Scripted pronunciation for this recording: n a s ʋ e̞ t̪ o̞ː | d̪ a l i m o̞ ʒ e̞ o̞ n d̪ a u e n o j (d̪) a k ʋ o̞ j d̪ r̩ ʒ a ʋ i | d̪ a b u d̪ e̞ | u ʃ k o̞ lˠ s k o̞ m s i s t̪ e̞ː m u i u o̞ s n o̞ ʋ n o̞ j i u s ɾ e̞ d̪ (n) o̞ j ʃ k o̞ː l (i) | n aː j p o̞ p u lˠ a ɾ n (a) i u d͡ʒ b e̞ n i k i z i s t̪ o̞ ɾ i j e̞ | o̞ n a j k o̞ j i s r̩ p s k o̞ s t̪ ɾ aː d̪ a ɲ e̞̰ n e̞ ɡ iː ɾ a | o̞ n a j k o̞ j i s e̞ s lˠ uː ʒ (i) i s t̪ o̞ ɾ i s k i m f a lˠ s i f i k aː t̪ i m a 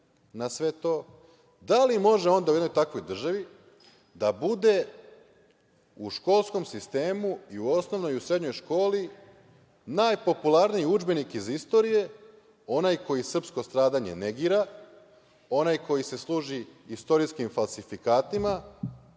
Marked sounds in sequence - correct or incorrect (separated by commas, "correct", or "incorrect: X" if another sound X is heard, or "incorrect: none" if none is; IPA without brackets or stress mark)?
incorrect: t̪, incorrect: ɲ, correct, incorrect: i, correct